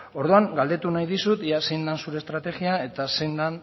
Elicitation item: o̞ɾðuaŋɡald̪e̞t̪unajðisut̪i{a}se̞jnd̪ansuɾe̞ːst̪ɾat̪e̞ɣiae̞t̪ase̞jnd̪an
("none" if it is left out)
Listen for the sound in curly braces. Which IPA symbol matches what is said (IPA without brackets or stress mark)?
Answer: a